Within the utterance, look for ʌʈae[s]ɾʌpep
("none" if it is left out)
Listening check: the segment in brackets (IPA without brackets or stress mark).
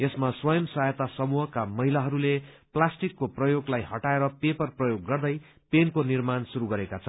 none